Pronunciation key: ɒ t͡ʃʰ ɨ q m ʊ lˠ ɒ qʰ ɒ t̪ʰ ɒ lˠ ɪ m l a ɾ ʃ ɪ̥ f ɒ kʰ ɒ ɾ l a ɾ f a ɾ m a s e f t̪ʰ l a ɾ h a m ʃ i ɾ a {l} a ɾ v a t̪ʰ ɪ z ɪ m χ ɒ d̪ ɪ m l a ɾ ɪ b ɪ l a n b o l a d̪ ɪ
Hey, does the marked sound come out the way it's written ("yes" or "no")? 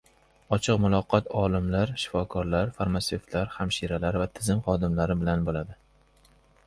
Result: yes